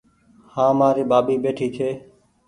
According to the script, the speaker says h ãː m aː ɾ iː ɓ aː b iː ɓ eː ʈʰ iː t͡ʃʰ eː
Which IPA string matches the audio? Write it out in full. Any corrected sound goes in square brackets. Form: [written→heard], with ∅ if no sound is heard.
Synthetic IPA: h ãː m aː ɾ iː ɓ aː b iː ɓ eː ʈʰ iː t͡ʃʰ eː